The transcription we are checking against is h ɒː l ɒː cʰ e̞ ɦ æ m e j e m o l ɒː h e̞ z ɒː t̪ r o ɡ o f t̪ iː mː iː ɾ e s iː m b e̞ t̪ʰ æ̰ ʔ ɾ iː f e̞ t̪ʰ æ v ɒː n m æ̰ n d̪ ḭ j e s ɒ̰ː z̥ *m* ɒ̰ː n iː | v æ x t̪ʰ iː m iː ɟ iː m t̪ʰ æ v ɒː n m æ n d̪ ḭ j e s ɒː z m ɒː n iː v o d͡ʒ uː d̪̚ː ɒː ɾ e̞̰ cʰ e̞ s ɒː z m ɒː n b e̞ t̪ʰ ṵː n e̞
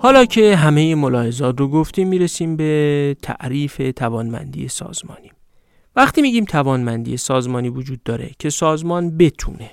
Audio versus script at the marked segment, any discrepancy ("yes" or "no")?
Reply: no